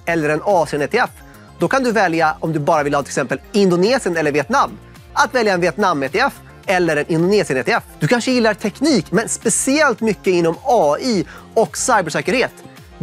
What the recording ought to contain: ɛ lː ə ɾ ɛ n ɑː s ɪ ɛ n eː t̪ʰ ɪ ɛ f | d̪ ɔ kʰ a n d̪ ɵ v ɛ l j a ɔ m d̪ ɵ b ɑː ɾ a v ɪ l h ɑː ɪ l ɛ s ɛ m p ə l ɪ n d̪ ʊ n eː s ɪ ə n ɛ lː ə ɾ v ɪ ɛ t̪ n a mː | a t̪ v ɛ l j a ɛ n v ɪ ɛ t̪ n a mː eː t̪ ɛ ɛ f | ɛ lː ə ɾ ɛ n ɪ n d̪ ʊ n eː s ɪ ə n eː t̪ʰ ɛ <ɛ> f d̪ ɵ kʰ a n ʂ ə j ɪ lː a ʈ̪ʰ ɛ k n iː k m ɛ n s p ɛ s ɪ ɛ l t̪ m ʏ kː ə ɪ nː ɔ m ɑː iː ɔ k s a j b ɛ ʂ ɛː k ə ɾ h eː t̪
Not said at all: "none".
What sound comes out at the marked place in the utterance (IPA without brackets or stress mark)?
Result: ɛ